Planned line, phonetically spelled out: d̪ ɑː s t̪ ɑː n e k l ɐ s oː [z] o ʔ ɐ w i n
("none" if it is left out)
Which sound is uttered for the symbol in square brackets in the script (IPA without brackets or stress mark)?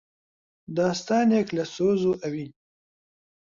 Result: z